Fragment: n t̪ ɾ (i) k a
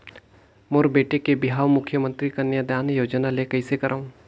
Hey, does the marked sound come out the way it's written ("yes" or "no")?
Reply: yes